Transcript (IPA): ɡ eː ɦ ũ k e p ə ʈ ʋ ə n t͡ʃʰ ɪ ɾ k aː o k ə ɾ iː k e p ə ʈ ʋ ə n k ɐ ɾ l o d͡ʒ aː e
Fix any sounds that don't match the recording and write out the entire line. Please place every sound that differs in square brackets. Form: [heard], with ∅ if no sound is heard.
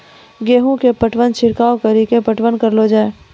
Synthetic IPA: ɡ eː ɦ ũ k e p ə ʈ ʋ ə n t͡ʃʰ ɪ ɾ k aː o k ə ɾ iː k e p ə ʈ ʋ ə n k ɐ ɾ l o d͡ʒ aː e